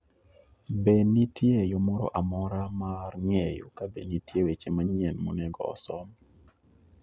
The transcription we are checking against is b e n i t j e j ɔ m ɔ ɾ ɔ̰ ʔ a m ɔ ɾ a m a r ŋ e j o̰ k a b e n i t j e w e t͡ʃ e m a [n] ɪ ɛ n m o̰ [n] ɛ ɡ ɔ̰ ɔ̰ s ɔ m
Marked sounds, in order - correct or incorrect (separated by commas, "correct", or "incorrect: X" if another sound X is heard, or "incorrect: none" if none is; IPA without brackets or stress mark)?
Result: incorrect: ɲ, correct